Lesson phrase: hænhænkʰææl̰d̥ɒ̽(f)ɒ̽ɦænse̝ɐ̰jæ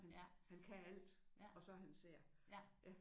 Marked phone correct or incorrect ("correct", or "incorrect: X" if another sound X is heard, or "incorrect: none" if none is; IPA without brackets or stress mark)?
incorrect: s